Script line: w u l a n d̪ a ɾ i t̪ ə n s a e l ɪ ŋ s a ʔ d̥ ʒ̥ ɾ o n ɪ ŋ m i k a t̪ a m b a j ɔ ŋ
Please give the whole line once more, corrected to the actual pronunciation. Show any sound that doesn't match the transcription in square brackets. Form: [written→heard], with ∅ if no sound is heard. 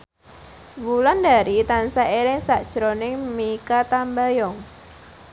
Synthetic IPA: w u l a n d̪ a ɾ i t̪ [ə→a] n s a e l ɪ ŋ s a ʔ d̥ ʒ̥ ɾ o n ɪ ŋ m i k a t̪ a m b a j ɔ ŋ